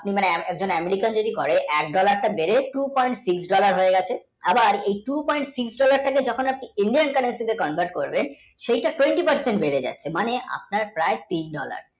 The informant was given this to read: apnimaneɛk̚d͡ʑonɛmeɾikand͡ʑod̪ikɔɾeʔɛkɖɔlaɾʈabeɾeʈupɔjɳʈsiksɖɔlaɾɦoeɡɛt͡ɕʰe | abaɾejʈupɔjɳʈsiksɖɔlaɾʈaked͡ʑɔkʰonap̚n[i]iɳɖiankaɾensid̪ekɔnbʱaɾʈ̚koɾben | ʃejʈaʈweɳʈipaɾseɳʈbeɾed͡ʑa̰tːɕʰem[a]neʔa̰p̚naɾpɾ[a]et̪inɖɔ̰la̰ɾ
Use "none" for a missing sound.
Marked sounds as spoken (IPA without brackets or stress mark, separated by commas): i, a, a